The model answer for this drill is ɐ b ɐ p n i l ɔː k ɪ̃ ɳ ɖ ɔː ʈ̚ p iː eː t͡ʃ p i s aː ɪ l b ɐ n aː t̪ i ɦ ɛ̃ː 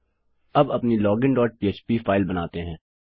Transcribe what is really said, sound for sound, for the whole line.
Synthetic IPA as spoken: ɐ b ɐ p n i l ɔː ɡ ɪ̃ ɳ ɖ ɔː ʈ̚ p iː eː t͡ʃ p i f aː ɪ l b ɐ n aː t̪ e ɦ ɛ̃ː